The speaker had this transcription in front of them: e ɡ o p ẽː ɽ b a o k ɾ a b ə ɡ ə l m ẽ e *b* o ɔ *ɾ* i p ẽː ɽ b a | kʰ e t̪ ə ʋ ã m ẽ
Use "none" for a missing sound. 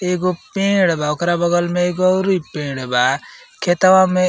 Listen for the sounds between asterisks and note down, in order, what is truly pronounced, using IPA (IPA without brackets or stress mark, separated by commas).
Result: ɡ, ɾ